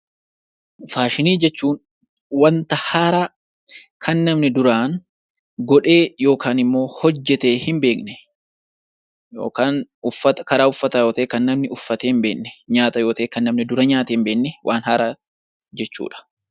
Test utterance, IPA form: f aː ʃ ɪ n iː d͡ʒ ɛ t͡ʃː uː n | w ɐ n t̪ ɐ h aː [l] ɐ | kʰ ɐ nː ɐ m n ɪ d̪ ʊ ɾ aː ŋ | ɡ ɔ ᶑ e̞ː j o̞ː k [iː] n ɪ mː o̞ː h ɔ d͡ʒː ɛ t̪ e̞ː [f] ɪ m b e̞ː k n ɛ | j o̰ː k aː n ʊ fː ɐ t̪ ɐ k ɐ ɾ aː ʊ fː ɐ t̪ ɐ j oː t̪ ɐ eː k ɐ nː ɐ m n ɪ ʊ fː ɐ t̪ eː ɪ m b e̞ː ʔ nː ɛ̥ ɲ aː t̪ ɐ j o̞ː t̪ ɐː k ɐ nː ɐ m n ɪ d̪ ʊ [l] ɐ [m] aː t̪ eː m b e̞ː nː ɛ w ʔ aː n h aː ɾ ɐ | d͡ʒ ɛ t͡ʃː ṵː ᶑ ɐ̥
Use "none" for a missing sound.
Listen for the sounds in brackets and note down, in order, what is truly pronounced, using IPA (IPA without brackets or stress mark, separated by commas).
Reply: ɾ, aː, h, ɾ, ɲ